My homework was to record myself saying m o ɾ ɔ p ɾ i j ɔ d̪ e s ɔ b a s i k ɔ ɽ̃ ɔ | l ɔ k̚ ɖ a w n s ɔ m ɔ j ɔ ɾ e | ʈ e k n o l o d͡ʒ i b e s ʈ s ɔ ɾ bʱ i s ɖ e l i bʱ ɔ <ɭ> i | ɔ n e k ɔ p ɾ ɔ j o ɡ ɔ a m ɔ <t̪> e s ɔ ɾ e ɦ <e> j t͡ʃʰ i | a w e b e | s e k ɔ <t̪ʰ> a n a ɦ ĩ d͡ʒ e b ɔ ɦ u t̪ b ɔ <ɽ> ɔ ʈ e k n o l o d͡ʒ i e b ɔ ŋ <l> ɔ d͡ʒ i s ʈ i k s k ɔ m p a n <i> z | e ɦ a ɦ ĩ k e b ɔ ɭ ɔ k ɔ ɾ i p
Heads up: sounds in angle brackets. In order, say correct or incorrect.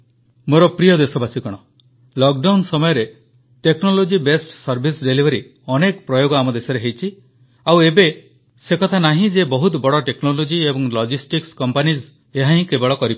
incorrect: ɾ, incorrect: d̪, correct, correct, correct, correct, correct

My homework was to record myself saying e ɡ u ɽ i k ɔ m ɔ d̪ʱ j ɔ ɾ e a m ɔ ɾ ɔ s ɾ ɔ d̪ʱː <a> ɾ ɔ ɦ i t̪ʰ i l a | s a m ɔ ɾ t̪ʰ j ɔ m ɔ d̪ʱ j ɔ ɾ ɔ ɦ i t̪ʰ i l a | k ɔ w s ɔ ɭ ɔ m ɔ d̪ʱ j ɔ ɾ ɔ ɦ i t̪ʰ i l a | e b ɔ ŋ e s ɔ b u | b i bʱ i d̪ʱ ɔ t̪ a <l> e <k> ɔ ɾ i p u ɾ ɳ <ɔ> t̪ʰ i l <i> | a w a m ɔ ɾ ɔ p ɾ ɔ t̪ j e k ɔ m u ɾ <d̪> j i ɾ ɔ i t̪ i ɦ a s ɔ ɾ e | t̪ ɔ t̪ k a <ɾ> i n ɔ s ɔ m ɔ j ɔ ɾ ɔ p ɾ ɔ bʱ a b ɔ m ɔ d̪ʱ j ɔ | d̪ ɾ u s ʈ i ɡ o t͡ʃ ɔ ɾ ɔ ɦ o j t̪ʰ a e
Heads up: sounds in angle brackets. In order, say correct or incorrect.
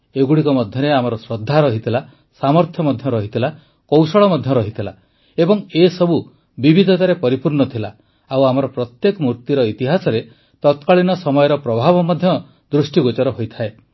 correct, incorrect: ɾ, incorrect: p, correct, incorrect: a, incorrect: t̪, incorrect: ɭ

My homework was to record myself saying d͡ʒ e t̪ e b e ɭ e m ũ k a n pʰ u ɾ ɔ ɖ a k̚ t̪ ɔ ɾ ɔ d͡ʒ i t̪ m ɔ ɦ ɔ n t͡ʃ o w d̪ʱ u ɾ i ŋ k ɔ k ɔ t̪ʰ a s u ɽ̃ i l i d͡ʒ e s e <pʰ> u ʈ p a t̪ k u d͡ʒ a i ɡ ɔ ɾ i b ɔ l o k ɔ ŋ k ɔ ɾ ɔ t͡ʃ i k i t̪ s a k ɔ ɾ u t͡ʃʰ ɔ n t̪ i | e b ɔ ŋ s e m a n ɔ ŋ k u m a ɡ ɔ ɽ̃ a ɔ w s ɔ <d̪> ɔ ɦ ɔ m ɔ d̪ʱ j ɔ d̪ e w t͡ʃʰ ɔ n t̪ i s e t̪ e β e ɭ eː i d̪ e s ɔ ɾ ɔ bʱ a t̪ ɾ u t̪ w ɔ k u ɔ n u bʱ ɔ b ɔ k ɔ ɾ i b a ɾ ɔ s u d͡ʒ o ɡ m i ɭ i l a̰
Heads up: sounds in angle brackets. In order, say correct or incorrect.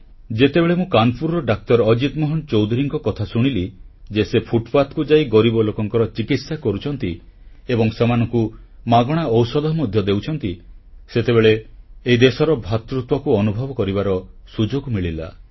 correct, correct

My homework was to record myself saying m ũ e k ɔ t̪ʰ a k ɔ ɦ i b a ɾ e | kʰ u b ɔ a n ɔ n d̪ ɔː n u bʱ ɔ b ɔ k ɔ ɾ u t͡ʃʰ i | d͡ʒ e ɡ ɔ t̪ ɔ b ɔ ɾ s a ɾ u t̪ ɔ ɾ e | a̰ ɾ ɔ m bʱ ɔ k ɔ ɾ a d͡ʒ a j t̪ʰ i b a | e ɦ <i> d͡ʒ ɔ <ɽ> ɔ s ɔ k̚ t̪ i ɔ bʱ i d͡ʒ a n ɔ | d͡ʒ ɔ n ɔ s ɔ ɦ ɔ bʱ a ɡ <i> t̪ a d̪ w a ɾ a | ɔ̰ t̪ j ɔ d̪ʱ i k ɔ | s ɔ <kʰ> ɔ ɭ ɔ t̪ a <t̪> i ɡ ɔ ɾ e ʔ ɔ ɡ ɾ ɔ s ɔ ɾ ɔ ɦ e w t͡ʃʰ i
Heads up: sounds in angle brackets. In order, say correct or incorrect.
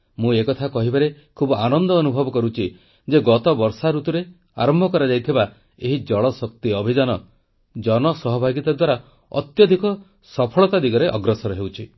correct, incorrect: ɭ, correct, incorrect: pʰ, incorrect: d̪

